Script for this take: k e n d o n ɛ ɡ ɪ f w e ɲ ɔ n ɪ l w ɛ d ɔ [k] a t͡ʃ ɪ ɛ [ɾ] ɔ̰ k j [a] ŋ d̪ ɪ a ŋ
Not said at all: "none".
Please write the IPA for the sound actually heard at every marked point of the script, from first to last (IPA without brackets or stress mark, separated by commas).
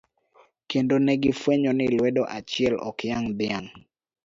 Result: ʔ, l, a